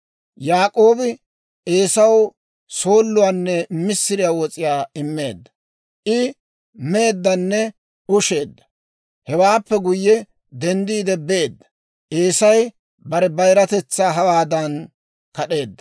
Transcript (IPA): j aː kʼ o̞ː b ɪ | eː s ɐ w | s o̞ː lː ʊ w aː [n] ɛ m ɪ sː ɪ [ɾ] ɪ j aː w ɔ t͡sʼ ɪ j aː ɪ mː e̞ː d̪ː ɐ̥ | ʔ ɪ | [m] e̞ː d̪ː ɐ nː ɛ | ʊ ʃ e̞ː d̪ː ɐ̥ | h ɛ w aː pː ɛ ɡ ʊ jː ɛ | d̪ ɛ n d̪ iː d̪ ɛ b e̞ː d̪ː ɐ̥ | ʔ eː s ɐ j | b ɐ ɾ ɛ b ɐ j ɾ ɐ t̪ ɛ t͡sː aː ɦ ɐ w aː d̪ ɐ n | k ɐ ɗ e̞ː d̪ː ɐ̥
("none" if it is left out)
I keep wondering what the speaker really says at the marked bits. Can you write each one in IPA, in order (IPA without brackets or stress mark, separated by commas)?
nː, ɾ, m